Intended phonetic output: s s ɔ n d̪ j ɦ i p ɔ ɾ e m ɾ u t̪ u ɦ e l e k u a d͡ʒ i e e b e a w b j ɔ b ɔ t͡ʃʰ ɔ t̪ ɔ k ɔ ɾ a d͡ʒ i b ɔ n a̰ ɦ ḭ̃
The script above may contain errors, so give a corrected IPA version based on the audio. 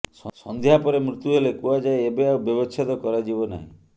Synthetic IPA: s s ɔ n d̪ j ɦ a p ɔ ɾ e m ɾ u t̪ u ɦ e l e k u a d͡ʒ a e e b e a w b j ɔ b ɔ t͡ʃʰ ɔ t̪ ɔ k ɔ ɾ a d͡ʒ i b ɔ n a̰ ɦ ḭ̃